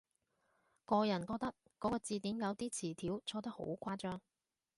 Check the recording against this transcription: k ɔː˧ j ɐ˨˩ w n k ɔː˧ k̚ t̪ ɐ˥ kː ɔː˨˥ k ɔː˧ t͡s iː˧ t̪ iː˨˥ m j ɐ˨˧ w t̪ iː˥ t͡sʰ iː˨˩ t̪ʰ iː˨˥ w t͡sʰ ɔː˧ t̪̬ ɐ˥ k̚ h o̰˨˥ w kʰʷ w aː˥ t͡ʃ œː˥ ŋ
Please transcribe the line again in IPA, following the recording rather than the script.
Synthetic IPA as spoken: k ɔː˧ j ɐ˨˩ n k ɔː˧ k̚ t̪ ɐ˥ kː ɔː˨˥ k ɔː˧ t͡s iː˧ t̪ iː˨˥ m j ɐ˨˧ w t̪ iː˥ t͡sʰ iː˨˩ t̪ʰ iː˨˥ w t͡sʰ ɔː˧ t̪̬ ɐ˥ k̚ h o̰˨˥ w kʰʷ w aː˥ t͡ʃ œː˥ ŋ